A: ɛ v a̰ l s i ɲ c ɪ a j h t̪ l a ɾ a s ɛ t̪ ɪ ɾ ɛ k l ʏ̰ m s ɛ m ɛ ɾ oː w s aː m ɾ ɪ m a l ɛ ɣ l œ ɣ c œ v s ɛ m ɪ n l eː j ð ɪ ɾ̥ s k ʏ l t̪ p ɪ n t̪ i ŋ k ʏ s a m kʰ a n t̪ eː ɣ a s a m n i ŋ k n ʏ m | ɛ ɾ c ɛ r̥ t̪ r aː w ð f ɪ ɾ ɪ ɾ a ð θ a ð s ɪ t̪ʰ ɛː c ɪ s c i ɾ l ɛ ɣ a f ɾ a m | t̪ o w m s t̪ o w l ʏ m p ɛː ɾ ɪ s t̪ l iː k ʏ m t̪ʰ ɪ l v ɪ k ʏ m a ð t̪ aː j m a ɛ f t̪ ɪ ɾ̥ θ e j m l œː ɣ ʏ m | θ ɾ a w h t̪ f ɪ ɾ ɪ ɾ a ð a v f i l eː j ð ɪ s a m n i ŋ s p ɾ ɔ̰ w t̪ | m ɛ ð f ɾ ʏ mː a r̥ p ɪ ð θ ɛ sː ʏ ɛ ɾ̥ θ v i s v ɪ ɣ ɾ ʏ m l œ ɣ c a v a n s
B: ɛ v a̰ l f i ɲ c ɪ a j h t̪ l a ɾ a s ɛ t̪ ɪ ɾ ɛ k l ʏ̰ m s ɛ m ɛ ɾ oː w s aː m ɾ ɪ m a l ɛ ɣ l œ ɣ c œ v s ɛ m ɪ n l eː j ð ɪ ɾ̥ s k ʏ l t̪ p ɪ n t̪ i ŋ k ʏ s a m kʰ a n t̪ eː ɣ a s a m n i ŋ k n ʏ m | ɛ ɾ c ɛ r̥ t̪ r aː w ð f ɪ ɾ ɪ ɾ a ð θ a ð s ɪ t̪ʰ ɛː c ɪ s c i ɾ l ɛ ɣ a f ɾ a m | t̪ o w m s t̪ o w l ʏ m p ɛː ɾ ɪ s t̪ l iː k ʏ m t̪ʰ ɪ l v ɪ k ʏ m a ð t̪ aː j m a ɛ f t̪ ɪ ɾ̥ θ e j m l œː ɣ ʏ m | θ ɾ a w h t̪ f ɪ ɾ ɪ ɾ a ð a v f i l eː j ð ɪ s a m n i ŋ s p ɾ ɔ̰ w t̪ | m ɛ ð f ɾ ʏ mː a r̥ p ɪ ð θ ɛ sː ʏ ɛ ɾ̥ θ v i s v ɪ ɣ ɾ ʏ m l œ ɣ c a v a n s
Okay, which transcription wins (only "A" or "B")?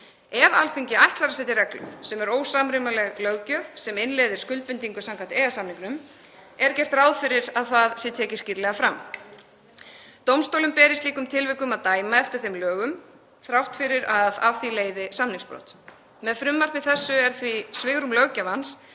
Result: B